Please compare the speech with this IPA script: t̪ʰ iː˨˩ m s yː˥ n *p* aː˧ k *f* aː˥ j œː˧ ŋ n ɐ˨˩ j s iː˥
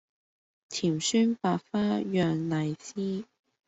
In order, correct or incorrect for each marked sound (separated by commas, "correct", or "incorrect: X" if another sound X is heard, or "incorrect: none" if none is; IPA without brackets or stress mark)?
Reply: correct, correct